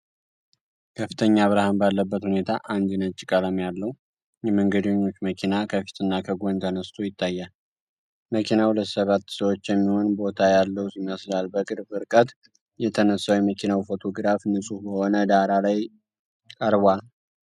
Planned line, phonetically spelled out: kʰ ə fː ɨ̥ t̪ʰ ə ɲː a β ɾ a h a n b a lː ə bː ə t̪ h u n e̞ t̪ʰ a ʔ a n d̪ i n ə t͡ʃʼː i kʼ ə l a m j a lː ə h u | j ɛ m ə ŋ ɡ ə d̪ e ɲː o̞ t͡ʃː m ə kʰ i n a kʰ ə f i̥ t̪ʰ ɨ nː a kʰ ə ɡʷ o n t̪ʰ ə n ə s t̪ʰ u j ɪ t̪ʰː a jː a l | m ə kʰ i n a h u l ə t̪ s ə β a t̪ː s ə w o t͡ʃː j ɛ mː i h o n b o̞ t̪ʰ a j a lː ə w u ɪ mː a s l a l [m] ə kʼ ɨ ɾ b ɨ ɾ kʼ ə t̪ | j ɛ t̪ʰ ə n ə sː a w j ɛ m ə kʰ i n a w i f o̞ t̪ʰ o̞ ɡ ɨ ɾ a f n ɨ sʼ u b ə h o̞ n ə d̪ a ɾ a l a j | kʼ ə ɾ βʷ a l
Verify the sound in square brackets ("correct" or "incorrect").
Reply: incorrect